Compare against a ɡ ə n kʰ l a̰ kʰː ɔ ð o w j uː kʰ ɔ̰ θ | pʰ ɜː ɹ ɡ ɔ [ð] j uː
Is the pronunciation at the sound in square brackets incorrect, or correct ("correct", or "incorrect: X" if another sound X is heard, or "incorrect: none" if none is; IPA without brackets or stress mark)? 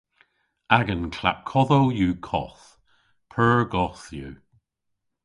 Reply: incorrect: θ